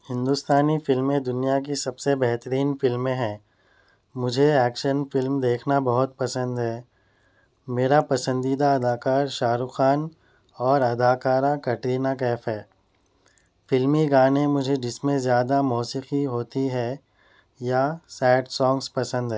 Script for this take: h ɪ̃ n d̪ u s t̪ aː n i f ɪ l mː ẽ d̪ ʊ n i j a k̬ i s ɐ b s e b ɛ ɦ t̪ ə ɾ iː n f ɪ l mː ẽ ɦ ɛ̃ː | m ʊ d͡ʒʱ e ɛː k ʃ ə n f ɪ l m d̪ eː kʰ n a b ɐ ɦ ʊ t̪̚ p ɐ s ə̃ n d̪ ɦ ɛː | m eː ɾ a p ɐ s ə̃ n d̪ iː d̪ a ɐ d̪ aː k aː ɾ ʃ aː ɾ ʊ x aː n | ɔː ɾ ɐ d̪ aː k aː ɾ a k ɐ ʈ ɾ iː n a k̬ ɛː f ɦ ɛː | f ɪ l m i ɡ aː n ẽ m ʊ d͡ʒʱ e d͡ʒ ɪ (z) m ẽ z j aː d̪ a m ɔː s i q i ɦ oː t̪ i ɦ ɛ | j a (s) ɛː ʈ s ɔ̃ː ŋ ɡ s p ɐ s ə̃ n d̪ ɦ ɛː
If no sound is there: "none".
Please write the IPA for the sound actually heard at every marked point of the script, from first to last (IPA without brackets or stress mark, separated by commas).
s, s